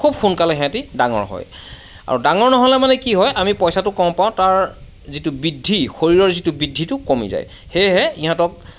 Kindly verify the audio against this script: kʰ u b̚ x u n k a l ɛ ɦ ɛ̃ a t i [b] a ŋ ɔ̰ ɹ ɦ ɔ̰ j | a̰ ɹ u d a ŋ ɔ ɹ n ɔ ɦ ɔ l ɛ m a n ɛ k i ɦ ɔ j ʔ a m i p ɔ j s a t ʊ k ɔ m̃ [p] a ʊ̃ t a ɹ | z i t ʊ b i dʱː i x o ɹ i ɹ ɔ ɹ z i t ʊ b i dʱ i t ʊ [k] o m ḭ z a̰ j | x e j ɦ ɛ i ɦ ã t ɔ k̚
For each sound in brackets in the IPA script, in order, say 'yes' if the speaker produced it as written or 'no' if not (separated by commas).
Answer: no, yes, yes